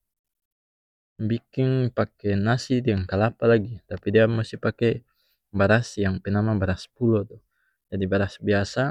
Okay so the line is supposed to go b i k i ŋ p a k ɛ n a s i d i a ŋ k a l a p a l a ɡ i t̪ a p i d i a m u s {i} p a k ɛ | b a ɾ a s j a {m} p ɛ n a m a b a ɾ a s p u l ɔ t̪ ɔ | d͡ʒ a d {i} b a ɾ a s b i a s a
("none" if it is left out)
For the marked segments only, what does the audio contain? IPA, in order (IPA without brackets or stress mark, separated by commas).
i, ŋ, i